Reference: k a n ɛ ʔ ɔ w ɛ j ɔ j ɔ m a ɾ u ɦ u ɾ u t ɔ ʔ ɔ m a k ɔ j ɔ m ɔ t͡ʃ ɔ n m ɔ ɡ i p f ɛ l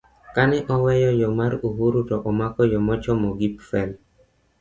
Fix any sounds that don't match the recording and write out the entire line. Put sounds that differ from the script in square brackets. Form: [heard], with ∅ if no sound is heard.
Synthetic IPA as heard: k a n ɛ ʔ ɔ w ɛ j ɔ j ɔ m a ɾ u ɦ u ɾ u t ɔ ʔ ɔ m a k ɔ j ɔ m ɔ t͡ʃ ɔ [∅] m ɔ ɡ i p f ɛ l

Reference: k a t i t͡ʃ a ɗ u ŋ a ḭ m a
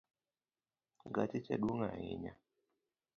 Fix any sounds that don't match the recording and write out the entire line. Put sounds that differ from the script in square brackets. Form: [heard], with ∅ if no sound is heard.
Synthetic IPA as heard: [ɡ] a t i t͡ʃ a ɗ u ŋ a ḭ [ɲ] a

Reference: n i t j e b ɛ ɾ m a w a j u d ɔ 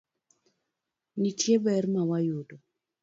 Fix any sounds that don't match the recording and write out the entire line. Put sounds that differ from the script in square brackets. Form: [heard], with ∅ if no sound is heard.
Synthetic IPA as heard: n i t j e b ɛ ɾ m a w a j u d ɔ

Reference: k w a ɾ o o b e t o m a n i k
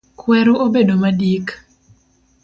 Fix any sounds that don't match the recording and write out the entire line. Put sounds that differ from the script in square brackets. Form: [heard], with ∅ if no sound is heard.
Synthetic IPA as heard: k w [ɛ] ɾ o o b e [d] o m a [d] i k

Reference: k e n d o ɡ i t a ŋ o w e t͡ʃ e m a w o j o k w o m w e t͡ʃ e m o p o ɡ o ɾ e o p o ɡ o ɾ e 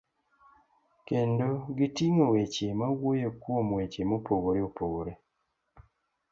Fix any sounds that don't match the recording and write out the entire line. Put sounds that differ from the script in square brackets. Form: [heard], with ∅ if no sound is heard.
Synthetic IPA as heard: k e n d o ɡ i t [i] ŋ o w e t͡ʃ e m a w o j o k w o m w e t͡ʃ e m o p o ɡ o ɾ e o p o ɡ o ɾ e

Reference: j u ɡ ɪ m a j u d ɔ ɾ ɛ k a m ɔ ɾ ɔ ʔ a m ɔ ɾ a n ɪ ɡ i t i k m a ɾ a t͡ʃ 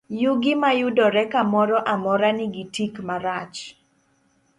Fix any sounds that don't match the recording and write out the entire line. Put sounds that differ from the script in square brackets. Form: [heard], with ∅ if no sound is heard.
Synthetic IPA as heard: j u ɡ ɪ m a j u d ɔ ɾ ɛ k a m ɔ ɾ ɔ ʔ a m ɔ ɾ a n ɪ ɡ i t i k m a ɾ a t͡ʃ

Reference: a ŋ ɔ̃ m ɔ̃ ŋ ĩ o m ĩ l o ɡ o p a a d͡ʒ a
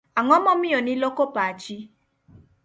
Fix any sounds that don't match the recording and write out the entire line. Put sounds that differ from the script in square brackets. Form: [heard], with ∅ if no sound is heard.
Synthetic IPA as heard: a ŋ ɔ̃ m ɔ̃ [m] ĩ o [n] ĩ l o [k] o p a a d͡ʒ [i]

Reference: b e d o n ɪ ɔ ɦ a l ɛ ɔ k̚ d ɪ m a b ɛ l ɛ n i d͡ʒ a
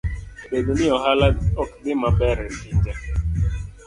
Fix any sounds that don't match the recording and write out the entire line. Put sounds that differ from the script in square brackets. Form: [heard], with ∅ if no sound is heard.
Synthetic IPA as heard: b e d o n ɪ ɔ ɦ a l [a] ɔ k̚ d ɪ m a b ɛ [ɾ] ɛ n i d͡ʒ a

